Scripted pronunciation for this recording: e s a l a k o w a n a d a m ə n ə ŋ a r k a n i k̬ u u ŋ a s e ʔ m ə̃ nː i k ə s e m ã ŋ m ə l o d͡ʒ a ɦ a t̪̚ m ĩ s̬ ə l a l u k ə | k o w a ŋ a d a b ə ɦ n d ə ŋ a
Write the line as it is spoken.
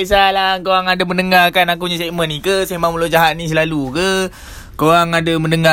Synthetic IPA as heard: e s a l a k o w a ŋ a d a m ə n ə ŋ a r k a n a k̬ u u ɲ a s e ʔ m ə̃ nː i k ə s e m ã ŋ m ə l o d͡ʒ a ɦ a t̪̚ n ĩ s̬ ə l a l u k ə | k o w a ŋ a d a m ə n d ə ŋ a